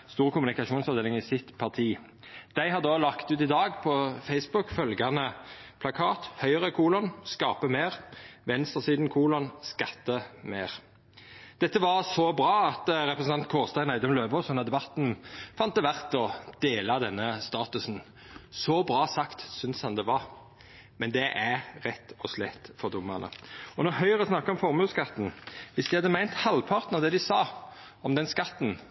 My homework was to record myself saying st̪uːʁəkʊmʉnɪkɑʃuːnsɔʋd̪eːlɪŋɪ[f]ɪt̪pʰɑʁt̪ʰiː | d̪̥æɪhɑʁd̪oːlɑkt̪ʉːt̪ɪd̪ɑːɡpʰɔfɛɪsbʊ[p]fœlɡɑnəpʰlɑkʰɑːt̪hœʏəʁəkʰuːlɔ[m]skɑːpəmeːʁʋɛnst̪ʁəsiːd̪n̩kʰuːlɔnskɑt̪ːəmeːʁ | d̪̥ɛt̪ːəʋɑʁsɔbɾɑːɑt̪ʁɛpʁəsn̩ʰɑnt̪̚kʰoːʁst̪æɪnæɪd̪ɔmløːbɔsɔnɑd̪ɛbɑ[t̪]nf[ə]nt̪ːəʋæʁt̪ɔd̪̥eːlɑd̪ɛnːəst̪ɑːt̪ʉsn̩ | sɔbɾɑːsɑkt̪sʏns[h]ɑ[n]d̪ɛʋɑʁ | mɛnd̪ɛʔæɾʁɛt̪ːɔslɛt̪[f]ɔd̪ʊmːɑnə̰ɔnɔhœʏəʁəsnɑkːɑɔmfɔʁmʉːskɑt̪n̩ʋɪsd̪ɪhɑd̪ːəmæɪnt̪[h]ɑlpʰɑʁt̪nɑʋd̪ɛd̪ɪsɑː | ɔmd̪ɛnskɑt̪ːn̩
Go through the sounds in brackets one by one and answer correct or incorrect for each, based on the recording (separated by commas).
incorrect, incorrect, incorrect, correct, incorrect, correct, correct, correct, correct